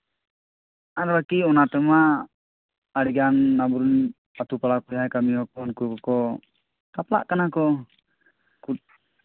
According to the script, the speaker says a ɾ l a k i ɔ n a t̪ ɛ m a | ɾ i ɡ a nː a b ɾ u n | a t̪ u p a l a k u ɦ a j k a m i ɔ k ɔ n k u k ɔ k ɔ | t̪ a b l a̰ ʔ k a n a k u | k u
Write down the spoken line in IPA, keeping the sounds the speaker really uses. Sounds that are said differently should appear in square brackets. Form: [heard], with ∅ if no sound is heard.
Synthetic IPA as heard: a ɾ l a k i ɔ n a t̪ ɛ m a | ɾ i ɡ a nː a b ɾ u n | a t̪ u p a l a k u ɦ a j k a m i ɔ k ɔ n k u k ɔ k ɔ | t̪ a [p] l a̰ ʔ k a n a k [ɔ] | k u